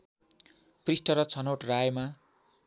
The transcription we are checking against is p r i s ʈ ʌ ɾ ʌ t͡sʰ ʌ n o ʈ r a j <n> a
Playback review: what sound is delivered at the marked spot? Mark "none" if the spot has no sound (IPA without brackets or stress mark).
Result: m